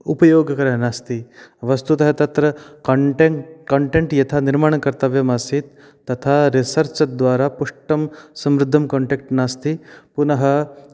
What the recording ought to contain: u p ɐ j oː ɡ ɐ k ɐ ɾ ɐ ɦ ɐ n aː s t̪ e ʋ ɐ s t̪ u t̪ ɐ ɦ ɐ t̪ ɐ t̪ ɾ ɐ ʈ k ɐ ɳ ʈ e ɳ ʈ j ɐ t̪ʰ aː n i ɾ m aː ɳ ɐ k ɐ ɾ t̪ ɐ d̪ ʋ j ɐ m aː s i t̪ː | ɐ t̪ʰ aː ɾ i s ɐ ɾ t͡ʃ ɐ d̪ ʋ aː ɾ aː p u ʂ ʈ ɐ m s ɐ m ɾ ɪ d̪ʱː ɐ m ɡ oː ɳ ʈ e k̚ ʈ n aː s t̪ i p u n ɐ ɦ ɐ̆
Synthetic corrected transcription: u p ɐ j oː ɡ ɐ k ɐ ɾ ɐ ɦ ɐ n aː s t̪ i ʋ ɐ s t̪ u t̪ ɐ ɦ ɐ t̪ ɐ t̪ ɾ ɐ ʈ k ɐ ɳ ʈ e ɳ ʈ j ɐ t̪ʰ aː n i ɾ m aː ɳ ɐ k ɐ ɾ t̪ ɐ ʋ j ɐ m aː s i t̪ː | ɐ t̪ʰ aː ɾ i s ɐ ɾ t͡ʃ ɐ d̪ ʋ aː ɾ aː p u ʂ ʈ ɐ m s ɐ m ɾ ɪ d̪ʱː ɐ m k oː ɳ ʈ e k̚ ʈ n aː s t̪ i p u n ɐ ɦ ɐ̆